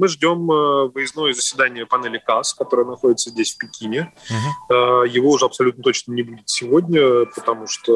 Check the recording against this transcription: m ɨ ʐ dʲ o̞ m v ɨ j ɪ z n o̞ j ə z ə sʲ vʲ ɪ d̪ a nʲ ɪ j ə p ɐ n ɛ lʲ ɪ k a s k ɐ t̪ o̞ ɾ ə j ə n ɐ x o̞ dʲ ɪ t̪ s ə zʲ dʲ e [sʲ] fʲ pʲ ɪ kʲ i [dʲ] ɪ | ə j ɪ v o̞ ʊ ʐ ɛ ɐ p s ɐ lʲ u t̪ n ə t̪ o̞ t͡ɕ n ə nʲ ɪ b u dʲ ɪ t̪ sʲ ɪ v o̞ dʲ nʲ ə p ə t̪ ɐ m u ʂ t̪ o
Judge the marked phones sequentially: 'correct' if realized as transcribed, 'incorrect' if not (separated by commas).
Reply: correct, incorrect